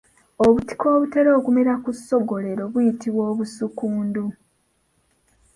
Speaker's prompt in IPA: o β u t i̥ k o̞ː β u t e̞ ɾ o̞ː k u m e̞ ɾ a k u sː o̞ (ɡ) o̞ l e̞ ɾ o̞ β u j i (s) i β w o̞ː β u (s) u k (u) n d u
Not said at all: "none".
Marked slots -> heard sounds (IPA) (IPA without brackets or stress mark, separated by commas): ɡ, t, s, uː